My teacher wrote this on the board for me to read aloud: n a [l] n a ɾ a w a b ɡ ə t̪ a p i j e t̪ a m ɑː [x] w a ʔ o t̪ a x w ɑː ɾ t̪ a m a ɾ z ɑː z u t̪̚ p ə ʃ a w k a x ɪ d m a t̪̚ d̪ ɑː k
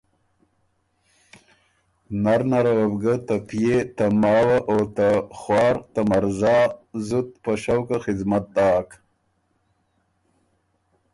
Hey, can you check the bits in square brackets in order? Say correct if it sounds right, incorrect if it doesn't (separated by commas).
incorrect, incorrect